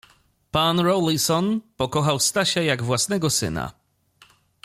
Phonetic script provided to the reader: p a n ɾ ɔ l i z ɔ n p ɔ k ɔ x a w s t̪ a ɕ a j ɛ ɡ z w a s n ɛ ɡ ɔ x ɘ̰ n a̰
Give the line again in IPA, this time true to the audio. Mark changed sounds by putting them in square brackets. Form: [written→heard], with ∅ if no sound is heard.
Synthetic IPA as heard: p a n ɾ ɔ l i [z→s] ɔ n p ɔ k ɔ x a w s t̪ a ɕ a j [ɛ→a] ɡ [z→v] w a s n ɛ ɡ ɔ [x→s] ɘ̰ n a̰